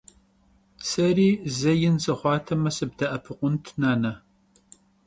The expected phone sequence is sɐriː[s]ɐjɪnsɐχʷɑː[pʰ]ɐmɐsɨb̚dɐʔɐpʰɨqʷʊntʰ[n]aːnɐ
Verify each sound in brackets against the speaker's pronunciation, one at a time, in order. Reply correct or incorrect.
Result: incorrect: z, incorrect: tʰ, correct

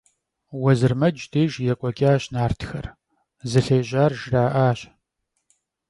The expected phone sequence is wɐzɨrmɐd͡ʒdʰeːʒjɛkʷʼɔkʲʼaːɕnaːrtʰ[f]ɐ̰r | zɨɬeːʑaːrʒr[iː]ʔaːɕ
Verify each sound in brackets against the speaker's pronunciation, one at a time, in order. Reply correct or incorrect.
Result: incorrect: x, incorrect: aː

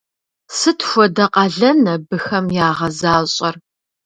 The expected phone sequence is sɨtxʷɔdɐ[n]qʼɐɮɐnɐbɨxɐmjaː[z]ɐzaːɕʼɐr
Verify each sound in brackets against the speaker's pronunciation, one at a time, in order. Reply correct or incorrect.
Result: incorrect: none, incorrect: ʁ

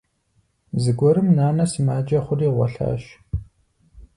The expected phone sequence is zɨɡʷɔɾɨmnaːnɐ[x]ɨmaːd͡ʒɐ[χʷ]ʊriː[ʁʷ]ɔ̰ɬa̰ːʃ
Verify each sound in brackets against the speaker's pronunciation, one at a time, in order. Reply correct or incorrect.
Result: incorrect: s, correct, correct

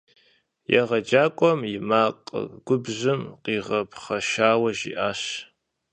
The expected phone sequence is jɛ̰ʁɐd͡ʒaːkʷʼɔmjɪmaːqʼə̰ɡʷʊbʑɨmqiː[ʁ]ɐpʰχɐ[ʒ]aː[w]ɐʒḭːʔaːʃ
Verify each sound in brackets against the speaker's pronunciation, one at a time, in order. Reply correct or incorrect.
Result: correct, incorrect: ʃ, correct

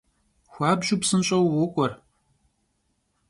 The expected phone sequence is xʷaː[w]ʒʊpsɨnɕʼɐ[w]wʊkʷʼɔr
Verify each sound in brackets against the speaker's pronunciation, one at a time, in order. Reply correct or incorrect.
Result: incorrect: b, correct

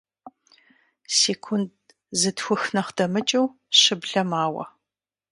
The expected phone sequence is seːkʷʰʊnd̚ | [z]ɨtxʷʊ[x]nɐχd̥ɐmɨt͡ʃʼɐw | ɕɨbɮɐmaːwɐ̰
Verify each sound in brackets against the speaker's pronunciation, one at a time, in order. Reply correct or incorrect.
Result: correct, correct

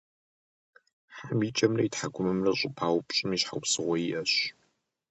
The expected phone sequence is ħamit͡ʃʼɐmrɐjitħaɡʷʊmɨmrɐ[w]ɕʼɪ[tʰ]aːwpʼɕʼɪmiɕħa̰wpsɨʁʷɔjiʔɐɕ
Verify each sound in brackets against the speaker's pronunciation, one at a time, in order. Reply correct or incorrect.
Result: incorrect: none, incorrect: pʰ

